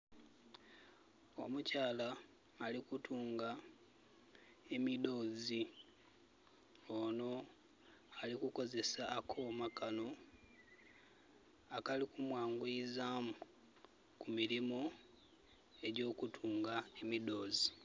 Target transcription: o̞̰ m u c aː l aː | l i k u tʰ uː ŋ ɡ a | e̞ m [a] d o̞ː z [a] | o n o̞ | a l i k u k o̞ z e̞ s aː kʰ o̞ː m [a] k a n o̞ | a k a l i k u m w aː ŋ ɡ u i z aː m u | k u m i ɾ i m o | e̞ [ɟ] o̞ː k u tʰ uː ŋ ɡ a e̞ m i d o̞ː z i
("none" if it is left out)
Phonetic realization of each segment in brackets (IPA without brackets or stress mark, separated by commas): i, i, a, ɟ